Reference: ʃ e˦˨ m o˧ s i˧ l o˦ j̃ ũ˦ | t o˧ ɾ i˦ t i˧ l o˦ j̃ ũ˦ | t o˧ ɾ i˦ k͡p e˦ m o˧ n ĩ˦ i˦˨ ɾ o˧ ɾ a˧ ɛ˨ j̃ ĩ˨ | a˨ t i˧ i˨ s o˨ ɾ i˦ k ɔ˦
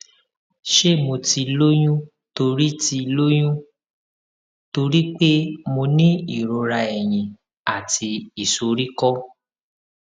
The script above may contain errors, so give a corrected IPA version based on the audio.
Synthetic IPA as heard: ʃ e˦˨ m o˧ t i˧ l o˦ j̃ ũ˦ | t o˧ ɾ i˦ t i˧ l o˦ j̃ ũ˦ | t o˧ ɾ i˦ k͡p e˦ m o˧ n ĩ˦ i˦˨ ɾ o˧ ɾ a˧ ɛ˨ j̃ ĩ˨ | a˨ t i˧ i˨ s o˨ ɾ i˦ k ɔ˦

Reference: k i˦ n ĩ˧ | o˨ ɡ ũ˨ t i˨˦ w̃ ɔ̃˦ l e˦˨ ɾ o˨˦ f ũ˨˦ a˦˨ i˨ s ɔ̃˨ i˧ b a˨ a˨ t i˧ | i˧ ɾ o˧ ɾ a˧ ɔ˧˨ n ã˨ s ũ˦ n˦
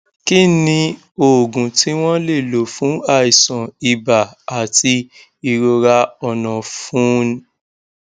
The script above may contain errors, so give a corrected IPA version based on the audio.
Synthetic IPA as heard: k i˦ n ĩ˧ | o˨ ɡ ũ˨ t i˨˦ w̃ ɔ̃˦ l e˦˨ l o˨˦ f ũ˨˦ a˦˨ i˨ s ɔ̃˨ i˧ b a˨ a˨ t i˧ | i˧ ɾ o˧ ɾ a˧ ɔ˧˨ n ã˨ f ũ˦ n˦

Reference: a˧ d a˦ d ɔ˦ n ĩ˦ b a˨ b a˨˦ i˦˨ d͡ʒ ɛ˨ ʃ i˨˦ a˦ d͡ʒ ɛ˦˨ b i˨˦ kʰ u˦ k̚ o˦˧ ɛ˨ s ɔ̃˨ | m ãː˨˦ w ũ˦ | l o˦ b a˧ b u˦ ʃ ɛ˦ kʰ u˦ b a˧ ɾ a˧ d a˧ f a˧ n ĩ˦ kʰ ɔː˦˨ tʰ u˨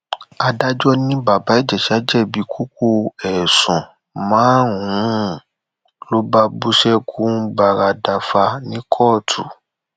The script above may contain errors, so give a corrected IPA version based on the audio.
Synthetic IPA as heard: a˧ d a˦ d͡ʒ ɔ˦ n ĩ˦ b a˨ b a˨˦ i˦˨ d͡ʒ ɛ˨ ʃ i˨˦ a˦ d͡ʒ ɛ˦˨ b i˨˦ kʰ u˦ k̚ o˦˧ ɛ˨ s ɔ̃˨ | m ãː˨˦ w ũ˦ | l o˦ b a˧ b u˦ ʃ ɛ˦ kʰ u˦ b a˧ ɾ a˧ d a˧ f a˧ n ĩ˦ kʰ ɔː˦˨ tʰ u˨

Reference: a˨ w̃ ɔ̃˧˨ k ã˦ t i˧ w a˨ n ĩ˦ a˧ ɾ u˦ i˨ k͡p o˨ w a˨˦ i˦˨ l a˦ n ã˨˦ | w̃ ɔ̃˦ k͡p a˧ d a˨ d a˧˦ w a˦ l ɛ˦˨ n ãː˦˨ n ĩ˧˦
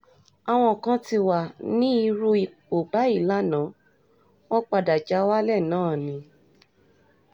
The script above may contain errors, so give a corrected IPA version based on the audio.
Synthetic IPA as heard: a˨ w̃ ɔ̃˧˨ k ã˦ t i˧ w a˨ n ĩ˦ i˧ ɾ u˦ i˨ k͡p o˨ b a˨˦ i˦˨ l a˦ n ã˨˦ | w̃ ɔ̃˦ k͡p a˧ d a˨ d͡ʒ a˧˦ w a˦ l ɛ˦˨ n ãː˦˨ n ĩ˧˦

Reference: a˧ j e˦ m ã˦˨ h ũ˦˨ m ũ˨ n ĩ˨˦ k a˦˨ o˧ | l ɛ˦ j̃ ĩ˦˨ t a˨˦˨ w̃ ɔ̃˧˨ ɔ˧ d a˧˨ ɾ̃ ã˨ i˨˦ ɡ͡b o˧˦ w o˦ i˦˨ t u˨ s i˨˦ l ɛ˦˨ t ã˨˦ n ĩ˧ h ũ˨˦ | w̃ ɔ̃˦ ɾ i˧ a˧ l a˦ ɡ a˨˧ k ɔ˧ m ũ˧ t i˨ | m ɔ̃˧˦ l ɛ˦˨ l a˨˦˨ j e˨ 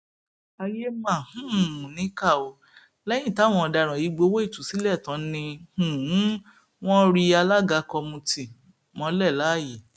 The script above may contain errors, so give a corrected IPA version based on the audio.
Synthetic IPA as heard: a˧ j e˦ m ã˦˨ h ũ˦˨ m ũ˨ n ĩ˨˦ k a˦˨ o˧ | l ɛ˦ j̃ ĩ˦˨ t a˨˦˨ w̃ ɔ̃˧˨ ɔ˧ d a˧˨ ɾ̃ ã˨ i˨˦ ɡ͡b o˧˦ w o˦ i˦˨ t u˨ s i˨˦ l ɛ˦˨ t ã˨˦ n ĩ˧ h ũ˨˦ | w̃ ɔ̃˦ ɾ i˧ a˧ l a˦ ɡ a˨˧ k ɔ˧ m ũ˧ t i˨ | m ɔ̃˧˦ l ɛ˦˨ l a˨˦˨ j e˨

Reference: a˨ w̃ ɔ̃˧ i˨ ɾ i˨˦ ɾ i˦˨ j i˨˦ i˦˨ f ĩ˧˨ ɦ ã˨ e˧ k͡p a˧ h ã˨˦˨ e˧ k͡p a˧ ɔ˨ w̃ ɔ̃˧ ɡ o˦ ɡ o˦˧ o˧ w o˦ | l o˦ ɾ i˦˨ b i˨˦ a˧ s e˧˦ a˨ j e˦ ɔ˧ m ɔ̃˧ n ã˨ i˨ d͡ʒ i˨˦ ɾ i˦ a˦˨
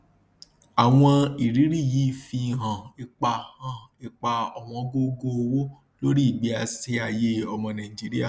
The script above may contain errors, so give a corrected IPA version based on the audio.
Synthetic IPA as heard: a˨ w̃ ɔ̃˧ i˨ ɾ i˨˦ ɾ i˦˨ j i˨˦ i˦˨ f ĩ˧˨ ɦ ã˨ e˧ k͡p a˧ h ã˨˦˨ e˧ k͡p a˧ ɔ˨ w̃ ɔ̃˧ ɡ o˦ ɡ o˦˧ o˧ w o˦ | l o˦ ɾ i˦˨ ɡ͡b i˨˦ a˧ s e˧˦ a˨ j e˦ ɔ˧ m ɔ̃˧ n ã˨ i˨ d͡ʒ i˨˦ ɾ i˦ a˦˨

